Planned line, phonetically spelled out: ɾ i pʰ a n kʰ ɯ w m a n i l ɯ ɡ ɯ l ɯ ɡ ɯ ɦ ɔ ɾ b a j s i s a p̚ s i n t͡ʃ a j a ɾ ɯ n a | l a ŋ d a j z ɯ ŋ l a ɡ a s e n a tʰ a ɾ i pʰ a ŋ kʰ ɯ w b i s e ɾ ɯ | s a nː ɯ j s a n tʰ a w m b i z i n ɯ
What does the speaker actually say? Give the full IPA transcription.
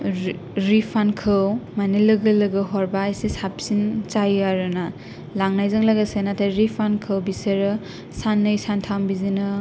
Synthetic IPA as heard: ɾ i pʰ a n kʰ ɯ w m a n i l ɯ ɡ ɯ l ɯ ɡ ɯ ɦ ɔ ɾ b a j s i s a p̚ s i n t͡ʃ a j a ɾ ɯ n a | l a ŋ n a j z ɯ ŋ l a ɡ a s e n a tʰ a ɾ i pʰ a n kʰ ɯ w b i s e ɾ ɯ | s a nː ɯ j s a n tʰ a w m b i z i n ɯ